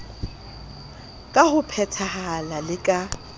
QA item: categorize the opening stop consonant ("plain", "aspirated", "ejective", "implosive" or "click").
ejective